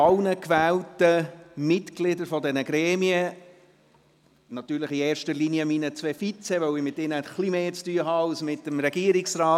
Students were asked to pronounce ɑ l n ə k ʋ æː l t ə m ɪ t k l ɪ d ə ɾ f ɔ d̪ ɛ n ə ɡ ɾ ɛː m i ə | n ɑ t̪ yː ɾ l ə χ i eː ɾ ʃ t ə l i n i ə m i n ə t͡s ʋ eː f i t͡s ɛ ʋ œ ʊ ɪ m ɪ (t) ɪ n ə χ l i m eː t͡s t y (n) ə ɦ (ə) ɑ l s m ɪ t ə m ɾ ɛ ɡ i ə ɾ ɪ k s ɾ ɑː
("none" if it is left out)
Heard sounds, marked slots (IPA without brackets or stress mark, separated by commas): t, none, ɑ